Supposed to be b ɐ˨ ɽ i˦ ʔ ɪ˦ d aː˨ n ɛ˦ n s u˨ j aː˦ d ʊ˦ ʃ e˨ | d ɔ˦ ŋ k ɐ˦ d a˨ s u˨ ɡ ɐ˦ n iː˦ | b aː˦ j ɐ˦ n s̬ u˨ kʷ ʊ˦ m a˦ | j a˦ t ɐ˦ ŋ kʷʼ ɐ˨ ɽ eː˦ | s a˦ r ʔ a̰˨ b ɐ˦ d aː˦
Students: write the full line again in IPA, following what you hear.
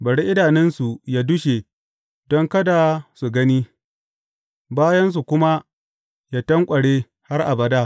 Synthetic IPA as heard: b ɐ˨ ɽ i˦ ʔ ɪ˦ d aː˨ n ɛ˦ n s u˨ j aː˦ d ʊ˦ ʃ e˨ | d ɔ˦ ŋ k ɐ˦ d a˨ s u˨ ɡ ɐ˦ n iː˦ | b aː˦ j ɐ˦ n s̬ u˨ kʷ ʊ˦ m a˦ | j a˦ t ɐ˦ ŋ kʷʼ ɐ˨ ɽ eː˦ | h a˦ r ʔ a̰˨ b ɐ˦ d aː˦